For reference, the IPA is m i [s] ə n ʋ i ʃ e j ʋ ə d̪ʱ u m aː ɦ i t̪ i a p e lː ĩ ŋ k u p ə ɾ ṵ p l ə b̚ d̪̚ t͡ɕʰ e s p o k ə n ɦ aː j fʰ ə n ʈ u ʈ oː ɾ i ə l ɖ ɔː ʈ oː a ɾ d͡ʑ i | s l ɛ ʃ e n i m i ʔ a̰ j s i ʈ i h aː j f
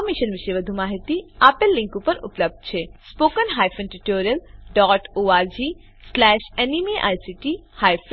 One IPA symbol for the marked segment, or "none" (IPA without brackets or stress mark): ʃ